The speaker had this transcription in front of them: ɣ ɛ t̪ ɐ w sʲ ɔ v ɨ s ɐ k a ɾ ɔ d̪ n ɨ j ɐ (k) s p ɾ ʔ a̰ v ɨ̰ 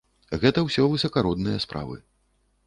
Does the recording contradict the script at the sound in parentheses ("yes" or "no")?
yes